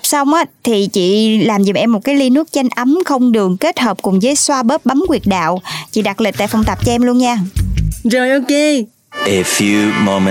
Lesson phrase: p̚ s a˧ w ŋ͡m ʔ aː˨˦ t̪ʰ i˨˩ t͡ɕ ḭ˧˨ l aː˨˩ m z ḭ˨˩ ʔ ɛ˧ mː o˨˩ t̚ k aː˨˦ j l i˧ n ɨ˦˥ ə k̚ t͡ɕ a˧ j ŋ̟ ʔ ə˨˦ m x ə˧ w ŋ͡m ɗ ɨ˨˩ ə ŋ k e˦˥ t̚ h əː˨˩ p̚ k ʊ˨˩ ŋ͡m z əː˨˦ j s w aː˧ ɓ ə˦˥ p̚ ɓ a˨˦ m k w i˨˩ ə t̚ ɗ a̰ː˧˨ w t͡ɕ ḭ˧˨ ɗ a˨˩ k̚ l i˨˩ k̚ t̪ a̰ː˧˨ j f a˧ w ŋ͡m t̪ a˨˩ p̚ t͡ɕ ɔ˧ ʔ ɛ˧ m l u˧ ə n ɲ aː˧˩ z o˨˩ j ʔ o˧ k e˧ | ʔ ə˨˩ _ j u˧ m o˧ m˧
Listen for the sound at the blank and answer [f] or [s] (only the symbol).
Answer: f